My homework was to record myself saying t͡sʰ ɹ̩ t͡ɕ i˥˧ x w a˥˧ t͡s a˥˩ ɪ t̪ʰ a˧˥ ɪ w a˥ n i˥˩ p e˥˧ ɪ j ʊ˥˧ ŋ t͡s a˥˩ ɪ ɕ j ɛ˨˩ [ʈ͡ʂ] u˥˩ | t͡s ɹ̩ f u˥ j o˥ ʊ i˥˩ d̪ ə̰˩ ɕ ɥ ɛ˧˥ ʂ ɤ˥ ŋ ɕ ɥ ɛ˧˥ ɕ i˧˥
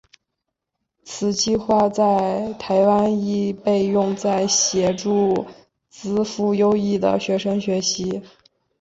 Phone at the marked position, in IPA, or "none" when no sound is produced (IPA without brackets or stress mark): ʈ͡ʂ